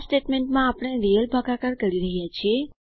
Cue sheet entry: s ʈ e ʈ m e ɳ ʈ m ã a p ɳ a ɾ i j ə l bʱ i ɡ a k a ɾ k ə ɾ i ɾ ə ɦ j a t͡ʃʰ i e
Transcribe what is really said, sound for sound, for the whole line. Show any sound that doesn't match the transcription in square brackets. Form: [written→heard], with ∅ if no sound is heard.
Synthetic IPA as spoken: s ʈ e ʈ m e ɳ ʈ m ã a p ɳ [a→e] ɾ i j ə l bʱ [i→a] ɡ a k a ɾ k ə ɾ i ɾ ə ɦ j a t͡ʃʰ i e